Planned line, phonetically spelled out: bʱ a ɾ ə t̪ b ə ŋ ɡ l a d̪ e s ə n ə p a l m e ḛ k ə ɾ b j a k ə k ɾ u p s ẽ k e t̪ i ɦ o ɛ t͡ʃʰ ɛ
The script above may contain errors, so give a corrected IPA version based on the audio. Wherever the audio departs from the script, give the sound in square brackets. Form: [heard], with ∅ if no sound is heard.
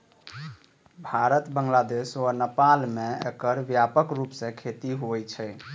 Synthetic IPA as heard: bʱ a ɾ ə t̪ b ə ŋ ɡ l a d̪ e s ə n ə p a l m e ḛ k ə ɾ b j a [p] ə k ɾ u p s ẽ [kʰ] e t̪ i ɦ o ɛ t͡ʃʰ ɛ